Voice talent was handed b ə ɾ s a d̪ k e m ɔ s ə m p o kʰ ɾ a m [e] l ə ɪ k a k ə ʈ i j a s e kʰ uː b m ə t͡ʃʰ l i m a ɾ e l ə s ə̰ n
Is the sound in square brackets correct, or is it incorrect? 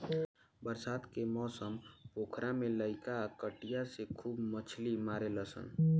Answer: correct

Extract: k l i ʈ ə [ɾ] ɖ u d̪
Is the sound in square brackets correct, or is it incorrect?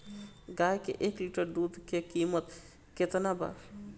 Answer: correct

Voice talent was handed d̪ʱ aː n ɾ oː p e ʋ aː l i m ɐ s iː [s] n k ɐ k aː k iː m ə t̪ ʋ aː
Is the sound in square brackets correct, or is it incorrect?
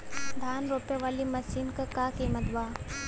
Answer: incorrect: none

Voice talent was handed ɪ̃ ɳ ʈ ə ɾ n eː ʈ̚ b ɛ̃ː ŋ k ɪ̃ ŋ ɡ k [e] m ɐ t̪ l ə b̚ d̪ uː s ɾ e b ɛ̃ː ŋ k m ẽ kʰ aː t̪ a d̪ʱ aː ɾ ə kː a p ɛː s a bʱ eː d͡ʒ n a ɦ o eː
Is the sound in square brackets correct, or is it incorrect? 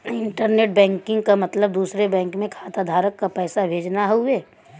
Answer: incorrect: a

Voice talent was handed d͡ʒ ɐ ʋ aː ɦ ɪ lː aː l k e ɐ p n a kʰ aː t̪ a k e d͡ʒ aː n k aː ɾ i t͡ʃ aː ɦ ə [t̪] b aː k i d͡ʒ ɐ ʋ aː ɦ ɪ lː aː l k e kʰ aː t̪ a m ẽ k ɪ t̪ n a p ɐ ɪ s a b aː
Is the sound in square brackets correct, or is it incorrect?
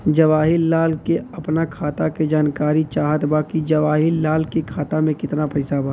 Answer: correct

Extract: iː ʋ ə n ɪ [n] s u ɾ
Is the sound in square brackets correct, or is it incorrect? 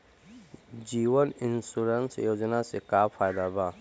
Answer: correct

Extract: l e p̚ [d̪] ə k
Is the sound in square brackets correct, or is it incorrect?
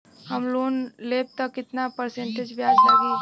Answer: incorrect: t̪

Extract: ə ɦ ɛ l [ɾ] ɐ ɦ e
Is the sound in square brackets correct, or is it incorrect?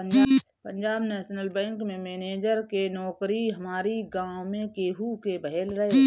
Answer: correct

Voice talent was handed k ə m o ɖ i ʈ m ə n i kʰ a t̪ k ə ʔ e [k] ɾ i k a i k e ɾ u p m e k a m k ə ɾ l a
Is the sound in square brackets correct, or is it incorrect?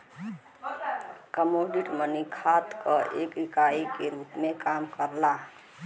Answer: correct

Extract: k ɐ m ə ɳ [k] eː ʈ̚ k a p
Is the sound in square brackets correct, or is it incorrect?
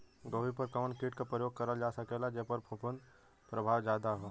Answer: correct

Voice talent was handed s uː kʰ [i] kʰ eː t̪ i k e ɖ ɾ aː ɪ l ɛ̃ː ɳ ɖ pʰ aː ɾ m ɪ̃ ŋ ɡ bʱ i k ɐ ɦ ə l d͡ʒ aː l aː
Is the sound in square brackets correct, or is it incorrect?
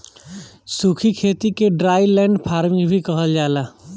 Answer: correct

